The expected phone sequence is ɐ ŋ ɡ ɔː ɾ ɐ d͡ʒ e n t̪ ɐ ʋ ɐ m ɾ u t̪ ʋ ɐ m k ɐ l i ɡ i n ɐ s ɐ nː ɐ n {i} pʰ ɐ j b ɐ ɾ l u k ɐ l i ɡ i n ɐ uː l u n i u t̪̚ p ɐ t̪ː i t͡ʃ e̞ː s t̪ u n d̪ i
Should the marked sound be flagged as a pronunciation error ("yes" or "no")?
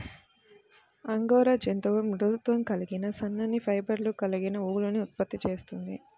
no